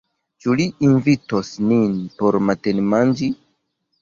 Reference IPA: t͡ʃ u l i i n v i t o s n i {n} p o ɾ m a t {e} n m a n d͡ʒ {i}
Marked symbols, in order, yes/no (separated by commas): yes, yes, yes